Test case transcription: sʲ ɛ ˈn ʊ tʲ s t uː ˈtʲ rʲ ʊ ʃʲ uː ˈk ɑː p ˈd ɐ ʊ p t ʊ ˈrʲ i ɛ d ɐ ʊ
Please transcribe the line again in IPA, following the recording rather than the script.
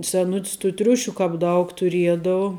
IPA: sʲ ɛ ˈn ʊ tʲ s t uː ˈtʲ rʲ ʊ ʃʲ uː ˈk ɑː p ˈd ɐ ʊ k t ʊ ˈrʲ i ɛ d ɐ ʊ